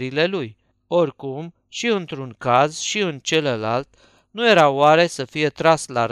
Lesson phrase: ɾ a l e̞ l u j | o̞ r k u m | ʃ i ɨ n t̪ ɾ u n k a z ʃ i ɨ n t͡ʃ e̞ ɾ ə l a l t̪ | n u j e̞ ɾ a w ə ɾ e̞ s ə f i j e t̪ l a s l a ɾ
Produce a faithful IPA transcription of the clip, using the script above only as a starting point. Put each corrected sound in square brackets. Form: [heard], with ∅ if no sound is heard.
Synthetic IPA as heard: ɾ [i] l e̞ l u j | o̞ r k u m | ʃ i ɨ n t̪ ɾ u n k a z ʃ i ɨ n t͡ʃ e̞ [l] ə l a l t̪ | n u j e̞ ɾ a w [a] ɾ e̞ s ə f i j e t̪ [ɾ] a s l a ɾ